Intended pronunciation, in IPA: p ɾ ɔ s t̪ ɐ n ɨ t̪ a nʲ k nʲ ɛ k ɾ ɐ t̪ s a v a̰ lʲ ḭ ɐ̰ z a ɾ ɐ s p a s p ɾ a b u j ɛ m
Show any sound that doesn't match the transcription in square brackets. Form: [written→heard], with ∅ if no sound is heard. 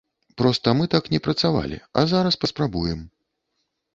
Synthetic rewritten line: p ɾ ɔ s t̪ ɐ [n→m] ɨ t̪ a [nʲ→∅] k nʲ ɛ [k→p] ɾ ɐ t̪ s a v a̰ lʲ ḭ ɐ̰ z a ɾ ɐ s p [a→ɐ] s p ɾ a b u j ɛ m